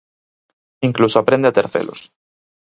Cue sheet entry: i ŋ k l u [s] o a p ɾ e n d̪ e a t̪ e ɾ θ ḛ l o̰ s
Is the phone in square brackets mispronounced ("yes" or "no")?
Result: no